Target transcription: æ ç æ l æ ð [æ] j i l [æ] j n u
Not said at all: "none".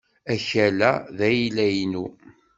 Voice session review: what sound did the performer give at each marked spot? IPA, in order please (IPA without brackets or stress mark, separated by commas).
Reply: æ, æ